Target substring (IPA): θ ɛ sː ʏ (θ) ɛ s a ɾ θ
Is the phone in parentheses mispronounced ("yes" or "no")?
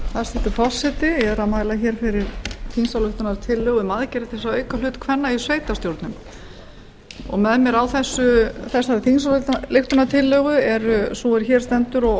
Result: no